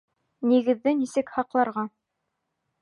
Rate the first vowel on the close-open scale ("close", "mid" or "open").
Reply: close